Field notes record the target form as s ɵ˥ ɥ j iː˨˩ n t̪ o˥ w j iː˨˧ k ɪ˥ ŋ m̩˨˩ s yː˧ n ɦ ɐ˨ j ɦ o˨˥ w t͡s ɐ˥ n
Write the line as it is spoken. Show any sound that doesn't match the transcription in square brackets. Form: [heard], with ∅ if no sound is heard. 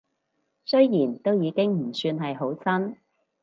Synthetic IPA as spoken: s ɵ˥ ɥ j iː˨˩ n t̪ o˥ w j iː˨˧ k ɪ˥ ŋ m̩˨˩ s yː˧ n ɦ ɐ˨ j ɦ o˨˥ w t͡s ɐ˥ n